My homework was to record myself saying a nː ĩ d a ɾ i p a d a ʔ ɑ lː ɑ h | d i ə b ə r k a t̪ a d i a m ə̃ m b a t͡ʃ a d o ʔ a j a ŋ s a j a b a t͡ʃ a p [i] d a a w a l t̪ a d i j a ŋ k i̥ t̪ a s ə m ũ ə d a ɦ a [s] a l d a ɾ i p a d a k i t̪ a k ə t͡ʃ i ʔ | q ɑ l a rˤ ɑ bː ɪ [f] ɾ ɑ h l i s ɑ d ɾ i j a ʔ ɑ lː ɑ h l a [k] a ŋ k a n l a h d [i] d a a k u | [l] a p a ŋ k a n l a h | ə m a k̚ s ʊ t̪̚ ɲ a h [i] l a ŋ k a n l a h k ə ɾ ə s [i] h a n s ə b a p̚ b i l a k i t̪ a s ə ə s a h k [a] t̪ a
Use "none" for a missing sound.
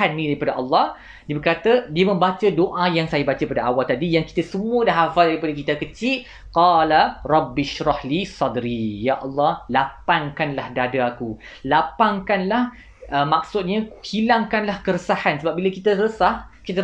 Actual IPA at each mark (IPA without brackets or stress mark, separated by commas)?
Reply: a, f, ʃ, p, a, l, i, a, i